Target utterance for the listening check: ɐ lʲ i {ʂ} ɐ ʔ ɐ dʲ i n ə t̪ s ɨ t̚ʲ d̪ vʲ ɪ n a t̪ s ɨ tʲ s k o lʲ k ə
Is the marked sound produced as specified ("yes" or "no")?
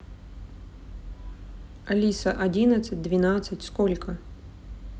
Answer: no